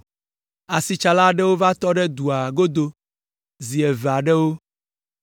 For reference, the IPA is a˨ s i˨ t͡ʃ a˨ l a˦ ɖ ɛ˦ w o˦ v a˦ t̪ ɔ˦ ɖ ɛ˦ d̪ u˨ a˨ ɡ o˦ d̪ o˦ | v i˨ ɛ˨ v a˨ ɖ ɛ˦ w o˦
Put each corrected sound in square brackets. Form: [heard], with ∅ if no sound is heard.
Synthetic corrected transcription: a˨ s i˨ t͡ʃ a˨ l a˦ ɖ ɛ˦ w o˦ v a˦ t̪ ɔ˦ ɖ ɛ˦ d̪ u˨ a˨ ɡ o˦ d̪ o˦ | [z] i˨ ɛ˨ v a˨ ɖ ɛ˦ w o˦